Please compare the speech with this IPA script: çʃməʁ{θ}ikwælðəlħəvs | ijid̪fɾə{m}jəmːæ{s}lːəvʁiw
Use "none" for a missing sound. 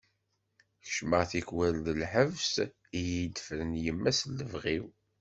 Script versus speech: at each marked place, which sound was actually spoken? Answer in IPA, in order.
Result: θ, n, s

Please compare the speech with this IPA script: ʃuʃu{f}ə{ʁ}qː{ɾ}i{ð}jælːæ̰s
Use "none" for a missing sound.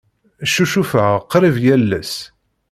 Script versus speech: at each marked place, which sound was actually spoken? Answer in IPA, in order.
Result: f, ʁ, ɾ, v

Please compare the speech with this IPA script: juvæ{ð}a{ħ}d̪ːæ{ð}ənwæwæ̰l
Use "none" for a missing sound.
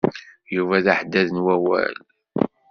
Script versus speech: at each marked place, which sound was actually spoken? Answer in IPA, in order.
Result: ð, ħ, ð

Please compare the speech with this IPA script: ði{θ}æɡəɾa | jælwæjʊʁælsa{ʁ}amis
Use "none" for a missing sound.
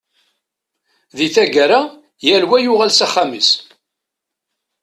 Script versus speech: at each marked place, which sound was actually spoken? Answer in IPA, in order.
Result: θ, χ

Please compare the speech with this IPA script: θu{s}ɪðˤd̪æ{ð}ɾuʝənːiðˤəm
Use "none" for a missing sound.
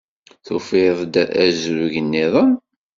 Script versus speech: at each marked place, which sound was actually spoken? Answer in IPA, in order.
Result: f, z

